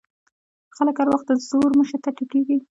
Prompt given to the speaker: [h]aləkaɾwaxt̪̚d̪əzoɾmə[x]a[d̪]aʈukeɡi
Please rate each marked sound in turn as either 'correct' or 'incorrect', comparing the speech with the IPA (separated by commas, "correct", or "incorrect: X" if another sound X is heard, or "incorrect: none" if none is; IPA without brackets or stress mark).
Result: incorrect: x, incorrect: ʃ, incorrect: t̪